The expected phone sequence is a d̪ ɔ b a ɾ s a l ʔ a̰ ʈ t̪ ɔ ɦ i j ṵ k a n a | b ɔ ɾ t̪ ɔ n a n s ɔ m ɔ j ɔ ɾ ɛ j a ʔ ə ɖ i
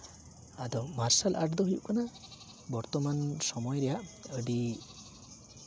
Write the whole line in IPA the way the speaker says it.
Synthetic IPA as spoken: a d̪ ɔ m a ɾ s a l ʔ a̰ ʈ d̪ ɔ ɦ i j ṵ k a n a | b ɔ ɾ t̪ ɔ m a n s ɔ m ɔ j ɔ ɾ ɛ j a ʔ ə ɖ i